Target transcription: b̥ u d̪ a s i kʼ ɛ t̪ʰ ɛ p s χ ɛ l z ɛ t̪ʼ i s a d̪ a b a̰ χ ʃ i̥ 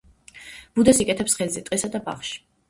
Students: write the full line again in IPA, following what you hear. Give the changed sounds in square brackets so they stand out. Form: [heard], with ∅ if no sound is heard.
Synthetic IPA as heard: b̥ u d̪ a s i kʼ ɛ t̪ʰ ɛ p s χ ɛ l z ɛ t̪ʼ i s a d̪ a b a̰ χ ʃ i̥